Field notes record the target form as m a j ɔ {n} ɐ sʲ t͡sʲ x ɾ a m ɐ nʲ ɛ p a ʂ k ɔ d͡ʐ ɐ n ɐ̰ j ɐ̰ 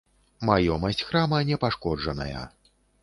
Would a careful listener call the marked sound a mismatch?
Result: yes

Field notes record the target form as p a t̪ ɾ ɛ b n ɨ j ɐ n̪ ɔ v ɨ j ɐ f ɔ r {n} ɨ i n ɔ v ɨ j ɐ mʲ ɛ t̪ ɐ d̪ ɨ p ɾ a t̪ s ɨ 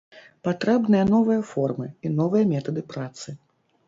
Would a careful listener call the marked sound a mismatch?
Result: yes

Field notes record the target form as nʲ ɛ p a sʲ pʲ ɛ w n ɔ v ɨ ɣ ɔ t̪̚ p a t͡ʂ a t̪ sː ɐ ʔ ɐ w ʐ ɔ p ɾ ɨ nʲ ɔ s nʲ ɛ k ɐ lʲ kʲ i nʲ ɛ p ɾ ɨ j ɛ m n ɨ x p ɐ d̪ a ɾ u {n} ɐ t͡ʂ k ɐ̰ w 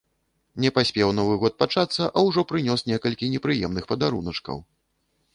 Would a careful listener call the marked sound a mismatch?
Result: no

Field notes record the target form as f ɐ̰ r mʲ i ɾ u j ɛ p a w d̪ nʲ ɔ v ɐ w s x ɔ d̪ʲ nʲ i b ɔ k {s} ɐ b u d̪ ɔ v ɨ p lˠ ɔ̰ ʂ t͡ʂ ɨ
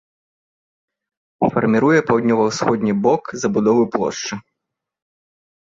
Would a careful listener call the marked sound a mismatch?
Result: yes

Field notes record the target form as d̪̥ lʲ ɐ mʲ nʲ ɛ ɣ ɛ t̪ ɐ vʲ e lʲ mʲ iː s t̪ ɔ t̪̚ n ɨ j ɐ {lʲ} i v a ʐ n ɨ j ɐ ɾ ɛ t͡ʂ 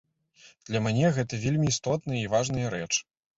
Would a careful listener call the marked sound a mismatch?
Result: yes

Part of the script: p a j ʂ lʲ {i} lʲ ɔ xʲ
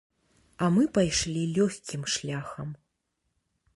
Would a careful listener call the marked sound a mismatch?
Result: no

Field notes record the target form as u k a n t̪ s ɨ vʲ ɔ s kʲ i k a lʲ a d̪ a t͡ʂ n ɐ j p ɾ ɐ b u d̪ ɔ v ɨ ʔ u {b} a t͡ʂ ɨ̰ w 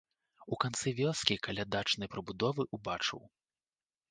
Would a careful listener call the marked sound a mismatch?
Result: no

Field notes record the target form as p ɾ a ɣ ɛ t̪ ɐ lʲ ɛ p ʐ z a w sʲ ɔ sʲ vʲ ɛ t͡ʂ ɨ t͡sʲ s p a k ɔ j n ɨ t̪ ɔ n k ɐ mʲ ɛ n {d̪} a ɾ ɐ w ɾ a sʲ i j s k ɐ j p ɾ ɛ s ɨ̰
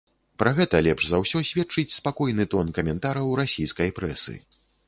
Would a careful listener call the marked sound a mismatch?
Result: yes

